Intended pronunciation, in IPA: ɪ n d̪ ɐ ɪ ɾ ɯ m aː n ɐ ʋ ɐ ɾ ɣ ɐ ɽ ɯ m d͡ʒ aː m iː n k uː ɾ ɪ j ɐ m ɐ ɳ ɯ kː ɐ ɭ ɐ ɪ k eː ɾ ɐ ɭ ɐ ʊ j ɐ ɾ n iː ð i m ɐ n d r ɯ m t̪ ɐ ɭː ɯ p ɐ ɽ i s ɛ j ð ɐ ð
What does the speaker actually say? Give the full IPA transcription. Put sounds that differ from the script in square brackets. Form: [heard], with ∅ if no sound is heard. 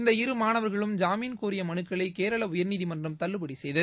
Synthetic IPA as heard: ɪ n d̪ ɐ ɪ ɾ ɯ m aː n ɐ ʋ ɐ ɾ ɣ ɐ [ɭ] ɯ m d͡ʒ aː m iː n k uː ɾ ɪ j ɐ m ɐ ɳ ɯ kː ɐ ɭ ɐ ɪ k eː ɾ ɐ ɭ ɐ ʊ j ɐ ɾ n iː ð i m ɐ n d r ɯ m t̪ ɐ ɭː ɯ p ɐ ɽ i s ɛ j ð ɐ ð